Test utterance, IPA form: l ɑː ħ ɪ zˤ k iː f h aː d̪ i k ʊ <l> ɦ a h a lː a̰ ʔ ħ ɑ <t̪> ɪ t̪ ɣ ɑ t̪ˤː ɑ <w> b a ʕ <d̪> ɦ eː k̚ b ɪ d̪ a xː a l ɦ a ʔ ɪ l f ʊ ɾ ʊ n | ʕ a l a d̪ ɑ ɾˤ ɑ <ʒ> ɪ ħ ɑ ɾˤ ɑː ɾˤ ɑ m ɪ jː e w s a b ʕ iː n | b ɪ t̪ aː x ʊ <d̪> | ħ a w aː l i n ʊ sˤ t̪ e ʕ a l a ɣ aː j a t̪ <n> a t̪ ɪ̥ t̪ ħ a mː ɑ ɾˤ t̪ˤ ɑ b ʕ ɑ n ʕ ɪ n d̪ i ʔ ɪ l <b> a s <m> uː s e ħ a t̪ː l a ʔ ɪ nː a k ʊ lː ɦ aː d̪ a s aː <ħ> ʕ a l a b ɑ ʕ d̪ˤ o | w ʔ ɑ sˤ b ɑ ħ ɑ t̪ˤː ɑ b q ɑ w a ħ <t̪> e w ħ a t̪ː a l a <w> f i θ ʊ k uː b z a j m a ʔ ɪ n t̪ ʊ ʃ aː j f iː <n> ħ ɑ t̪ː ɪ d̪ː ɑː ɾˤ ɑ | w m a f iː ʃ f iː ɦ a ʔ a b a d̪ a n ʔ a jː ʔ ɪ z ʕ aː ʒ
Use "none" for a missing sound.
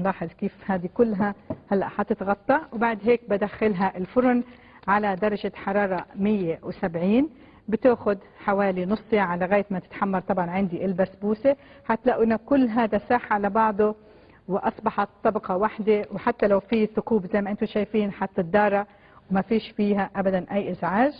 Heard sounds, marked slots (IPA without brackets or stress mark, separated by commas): lː, t̪, w, d̪, ʒ, d̪, m, b, b, ħ, d̪, w, n